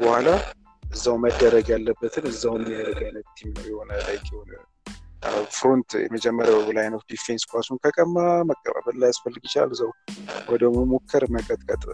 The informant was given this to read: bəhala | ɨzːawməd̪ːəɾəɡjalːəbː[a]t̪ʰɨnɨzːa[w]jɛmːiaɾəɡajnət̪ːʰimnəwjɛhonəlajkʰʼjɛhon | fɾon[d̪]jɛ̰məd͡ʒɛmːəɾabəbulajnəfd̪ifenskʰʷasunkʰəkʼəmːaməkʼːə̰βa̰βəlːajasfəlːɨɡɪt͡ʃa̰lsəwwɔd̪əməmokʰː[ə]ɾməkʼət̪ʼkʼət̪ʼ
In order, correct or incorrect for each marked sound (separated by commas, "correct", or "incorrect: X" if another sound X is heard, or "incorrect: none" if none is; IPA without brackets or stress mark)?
incorrect: ə, correct, incorrect: t̪, correct